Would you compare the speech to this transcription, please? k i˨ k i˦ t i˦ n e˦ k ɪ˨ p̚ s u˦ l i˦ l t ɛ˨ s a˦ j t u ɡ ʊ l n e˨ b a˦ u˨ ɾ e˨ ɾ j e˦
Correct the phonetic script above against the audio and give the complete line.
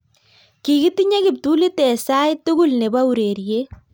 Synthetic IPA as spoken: k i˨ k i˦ t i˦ ɲ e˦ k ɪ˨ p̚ t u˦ l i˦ t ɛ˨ s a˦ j t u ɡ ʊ l n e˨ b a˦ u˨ ɾ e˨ ɾ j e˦